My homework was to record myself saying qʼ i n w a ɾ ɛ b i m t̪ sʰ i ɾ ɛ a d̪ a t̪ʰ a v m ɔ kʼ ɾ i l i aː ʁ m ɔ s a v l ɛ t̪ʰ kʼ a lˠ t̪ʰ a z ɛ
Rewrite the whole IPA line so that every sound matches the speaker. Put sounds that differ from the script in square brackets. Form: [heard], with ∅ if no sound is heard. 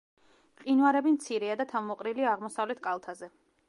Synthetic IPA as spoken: qʼ i n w a ɾ ɛ b i m t̪ sʰ i ɾ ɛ a d̪ a t̪ʰ a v m ɔ [qʼ] ɾ i l i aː ʁ m ɔ s a v l ɛ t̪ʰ kʼ a lˠ t̪ʰ a z ɛ